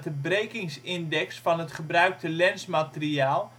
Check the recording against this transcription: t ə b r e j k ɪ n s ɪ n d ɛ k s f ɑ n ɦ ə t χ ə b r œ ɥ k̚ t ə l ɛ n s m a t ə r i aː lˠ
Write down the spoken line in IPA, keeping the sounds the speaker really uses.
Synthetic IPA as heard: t ə b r e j k ɪ ŋ s ɪ n d ɛ k s f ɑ n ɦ ə t χ ə b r œ ɥ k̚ t ə l ɛ n s m a t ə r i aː lˠ